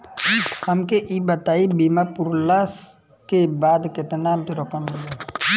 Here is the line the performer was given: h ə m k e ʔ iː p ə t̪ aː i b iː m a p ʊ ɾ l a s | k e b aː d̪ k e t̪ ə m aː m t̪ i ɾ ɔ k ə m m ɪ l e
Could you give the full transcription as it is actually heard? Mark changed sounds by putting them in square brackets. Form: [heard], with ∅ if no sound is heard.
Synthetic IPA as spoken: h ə m k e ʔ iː [b] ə t̪ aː i b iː m a p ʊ ɾ l a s | k e b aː d̪ k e t̪ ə [n] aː m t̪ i ɾ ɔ k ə m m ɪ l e

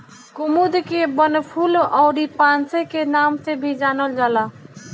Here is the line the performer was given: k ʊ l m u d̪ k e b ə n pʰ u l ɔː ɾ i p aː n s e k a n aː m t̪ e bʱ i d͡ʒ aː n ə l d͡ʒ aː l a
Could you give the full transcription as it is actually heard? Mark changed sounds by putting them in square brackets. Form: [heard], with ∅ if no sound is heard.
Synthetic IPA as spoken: k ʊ [∅] m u d̪ k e b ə n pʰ u l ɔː ɾ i p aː n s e k [e] n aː m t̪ e bʱ i d͡ʒ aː n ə l d͡ʒ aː l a

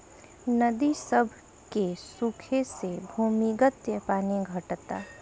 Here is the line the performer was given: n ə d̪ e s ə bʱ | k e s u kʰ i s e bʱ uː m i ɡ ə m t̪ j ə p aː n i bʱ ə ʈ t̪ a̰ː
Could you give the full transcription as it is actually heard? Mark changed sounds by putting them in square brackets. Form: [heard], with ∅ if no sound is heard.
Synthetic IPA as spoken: n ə d̪ [i] s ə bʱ | k e s u kʰ [e] s e bʱ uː m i ɡ ə [∅] t̪ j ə p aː n i [ɡʱ] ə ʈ t̪ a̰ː

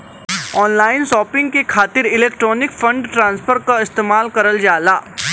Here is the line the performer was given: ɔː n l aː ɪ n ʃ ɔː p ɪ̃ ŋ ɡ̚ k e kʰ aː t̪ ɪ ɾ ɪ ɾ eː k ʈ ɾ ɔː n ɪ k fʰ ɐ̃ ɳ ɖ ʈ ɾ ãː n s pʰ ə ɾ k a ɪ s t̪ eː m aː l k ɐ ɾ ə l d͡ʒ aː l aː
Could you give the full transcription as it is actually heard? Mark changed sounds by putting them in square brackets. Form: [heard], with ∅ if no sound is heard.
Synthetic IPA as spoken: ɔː n l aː ɪ n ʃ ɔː p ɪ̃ ŋ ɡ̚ k e kʰ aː t̪ ɪ ɾ ɪ [l] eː k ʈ ɾ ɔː n ɪ k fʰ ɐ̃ ɳ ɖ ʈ ɾ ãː n s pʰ ə ɾ k a ɪ s t̪ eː m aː l k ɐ ɾ ə l d͡ʒ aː l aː

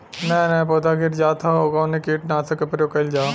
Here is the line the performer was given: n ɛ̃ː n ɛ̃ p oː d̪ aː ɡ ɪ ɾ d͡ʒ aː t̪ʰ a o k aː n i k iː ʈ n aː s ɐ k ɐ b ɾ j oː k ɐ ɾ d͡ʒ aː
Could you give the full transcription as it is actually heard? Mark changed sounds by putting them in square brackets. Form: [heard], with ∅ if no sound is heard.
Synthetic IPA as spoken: n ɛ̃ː n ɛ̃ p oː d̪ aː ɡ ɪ ɾ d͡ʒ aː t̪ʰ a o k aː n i k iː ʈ n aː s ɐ k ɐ [p] ɾ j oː k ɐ [l] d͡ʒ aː

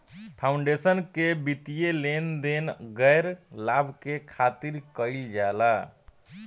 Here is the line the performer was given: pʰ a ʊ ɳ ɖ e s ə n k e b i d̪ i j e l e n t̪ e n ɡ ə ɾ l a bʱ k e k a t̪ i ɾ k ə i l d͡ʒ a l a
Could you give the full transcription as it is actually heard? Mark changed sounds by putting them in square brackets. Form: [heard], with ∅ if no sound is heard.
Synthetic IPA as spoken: pʰ a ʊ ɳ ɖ e s ə n k e b i [t̪] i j e l e n [d̪] e n ɡ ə ɾ l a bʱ k e [kʰ] a t̪ i ɾ k ə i l d͡ʒ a l a

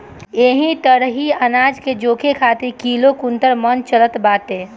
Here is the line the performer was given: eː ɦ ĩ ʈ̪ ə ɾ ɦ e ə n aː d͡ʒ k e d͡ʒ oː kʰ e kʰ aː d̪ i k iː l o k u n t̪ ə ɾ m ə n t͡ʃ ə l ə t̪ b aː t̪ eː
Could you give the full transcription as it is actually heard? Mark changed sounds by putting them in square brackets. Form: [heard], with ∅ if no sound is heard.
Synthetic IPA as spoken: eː ɦ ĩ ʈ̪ ə ɾ ɦ [i] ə n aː d͡ʒ k e d͡ʒ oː kʰ e kʰ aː [t̪] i k iː l o k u n t̪ ə ɾ m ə n t͡ʃ ə l ə t̪ b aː t̪ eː

